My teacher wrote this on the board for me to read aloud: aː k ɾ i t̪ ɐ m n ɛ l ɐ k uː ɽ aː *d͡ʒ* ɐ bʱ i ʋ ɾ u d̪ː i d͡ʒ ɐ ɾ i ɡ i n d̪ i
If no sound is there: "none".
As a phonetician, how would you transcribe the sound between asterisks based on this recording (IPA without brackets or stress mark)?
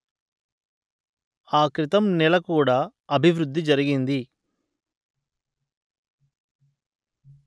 none